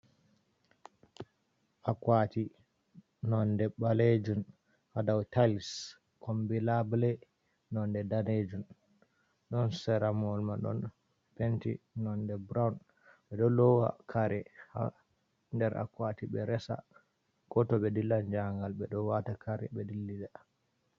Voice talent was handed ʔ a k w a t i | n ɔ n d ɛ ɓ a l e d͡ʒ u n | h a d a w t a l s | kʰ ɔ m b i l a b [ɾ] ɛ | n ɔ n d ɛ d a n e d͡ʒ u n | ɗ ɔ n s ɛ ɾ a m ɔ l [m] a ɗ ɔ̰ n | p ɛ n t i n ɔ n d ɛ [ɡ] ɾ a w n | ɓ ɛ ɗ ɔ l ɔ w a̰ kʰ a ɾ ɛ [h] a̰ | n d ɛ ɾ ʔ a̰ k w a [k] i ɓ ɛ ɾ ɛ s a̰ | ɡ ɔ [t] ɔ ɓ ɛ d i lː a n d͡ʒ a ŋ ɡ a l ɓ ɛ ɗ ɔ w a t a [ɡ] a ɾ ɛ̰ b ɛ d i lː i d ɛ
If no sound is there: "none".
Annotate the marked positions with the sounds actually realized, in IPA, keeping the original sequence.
l, m, b, h, t, t, k

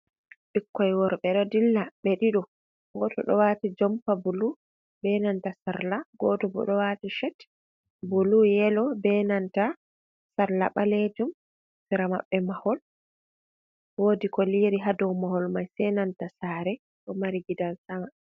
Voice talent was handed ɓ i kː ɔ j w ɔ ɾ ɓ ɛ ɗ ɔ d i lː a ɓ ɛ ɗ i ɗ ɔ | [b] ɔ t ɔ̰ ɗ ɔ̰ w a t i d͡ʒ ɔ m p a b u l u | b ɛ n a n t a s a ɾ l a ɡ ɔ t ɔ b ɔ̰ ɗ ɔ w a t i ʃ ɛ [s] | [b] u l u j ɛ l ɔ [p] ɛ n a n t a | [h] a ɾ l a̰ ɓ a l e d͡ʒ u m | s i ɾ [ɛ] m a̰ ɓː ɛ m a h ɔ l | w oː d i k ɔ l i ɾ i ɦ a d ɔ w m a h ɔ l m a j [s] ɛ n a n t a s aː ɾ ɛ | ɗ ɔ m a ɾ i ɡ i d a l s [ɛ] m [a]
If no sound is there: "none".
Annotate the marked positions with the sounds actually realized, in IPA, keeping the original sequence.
ɡ, t, b, b, s, a, s, a, a

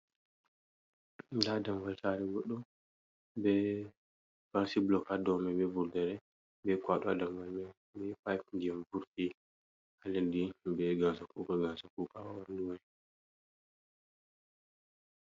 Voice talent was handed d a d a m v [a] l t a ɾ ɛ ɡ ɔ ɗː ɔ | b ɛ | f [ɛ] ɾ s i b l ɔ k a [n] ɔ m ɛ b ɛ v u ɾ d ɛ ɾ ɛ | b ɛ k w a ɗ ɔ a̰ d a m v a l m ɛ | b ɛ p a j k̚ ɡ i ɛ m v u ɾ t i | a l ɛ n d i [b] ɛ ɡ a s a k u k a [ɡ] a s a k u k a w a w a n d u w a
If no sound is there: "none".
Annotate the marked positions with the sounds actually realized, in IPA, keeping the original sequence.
a, a, d, b, ɡ

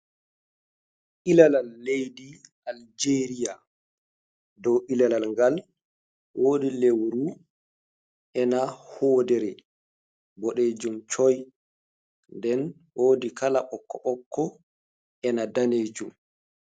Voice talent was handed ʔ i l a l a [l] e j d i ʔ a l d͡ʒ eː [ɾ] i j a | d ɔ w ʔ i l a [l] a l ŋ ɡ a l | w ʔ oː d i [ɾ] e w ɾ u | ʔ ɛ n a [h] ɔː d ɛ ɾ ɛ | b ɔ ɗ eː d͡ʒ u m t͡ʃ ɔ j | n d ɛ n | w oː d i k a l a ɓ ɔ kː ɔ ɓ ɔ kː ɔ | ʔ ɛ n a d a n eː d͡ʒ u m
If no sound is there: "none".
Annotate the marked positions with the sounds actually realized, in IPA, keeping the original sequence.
lː, ɾ, l, l, h

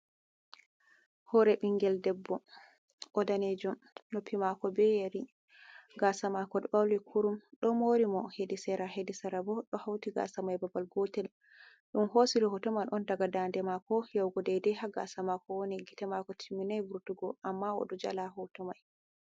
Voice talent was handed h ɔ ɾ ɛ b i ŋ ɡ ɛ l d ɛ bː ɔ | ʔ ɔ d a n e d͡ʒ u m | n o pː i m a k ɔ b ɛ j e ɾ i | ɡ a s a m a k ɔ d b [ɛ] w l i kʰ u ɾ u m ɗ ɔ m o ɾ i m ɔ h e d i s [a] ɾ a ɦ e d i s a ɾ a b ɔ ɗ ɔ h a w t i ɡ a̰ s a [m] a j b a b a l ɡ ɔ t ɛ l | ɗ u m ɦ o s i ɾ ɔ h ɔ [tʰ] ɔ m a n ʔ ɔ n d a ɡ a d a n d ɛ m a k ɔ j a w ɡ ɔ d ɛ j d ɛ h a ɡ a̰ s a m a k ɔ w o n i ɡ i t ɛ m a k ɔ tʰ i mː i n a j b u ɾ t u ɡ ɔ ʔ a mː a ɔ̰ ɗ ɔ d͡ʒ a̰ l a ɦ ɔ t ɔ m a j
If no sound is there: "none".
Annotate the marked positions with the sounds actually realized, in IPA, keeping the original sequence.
a, ɛ, m, t

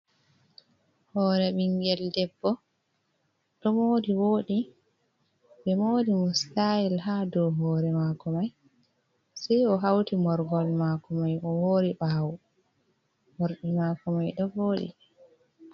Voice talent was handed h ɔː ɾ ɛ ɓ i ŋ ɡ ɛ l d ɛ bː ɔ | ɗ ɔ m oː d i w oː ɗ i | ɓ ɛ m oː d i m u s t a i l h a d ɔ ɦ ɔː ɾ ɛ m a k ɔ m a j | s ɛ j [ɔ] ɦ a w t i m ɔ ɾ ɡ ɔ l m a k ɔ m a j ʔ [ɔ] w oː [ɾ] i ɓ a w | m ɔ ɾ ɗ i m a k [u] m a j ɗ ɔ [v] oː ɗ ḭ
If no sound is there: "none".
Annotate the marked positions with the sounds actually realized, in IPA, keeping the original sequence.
ɔ, ɔ, ɾ, ɔ, v

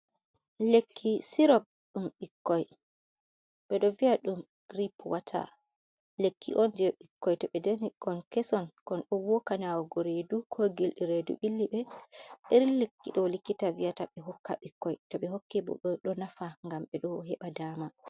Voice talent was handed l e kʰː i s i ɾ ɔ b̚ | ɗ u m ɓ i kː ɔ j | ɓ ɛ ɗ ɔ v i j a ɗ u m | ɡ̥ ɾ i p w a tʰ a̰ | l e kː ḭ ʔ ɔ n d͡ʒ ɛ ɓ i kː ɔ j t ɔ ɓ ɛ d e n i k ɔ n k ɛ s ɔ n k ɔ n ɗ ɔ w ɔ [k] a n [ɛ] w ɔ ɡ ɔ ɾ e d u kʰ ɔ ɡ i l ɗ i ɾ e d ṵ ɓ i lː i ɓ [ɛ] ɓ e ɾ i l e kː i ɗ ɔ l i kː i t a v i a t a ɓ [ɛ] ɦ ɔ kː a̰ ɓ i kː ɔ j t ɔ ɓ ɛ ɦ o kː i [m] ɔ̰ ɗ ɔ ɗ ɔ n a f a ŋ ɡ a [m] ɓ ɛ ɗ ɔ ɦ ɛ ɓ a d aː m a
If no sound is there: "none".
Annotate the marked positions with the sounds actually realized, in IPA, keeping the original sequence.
k, a, ɛ, ɛ, b, m

